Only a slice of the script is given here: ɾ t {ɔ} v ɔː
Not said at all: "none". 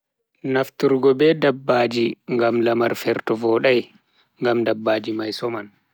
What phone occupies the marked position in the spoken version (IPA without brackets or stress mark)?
ɔ